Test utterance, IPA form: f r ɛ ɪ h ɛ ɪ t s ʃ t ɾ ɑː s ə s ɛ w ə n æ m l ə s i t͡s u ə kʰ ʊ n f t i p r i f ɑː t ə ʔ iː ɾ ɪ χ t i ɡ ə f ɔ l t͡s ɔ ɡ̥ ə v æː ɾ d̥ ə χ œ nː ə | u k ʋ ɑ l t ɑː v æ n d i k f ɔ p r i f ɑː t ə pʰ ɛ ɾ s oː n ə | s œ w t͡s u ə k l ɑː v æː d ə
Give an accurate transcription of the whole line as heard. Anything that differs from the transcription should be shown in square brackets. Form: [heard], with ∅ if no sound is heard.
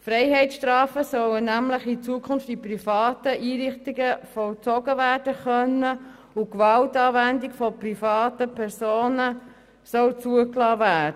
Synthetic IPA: f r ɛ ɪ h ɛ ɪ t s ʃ t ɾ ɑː [f] ə s [œ] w ə n æ m l ə [χ] i t͡s u ə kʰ ʊ n f t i p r i f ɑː t ə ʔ iː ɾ ɪ χ t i ɡ ə f ɔ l t͡s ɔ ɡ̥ ə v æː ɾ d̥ ə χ œ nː ə | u k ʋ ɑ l t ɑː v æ n d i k f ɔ p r i f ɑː t ə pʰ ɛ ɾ s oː n ə | s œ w t͡s u ə k l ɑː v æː d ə

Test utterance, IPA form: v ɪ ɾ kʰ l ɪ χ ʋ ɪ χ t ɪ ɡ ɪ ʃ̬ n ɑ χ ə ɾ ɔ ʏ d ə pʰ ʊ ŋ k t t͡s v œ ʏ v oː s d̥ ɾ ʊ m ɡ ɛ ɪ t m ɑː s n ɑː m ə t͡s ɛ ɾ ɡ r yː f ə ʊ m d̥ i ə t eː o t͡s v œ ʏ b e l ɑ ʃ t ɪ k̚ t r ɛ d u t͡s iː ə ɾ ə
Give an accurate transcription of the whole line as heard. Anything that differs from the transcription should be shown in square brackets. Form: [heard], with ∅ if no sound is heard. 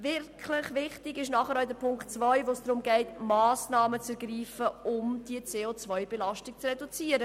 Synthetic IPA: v ɪ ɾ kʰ l ɪ χ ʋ ɪ χ t ɪ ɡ ɪ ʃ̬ n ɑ χ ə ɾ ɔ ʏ d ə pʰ ʊ ŋ k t t͡s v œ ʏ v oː s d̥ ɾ ʊ m ɡ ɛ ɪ t m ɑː s n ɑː m ə t͡s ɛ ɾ ɡ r [iː] f ə ʊ m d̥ i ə [t͡s] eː o t͡s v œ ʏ b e l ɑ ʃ t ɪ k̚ [t͡s] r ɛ d u t͡s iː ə ɾ ə

